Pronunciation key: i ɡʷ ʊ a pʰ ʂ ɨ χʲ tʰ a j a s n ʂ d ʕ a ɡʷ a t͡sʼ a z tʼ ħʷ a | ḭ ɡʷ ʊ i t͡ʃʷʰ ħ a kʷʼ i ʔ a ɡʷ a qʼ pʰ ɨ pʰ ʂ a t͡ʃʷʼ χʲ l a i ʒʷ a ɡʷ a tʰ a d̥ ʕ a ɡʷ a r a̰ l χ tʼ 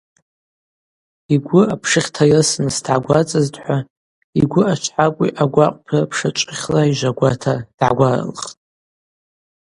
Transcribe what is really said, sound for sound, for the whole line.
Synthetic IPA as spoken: i ɡʷ ʊ a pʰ ʂ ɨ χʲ tʰ a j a s n s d ʕ a ɡʷ a t͡sʼ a z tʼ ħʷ a | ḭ ɡʷ ʊ a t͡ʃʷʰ ħ a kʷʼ i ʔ a ɡʷ a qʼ pʰ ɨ pʰ ʂ a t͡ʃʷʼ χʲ l a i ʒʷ a ɡʷ a tʰ a d̥ ʕ a ɡʷ a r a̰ l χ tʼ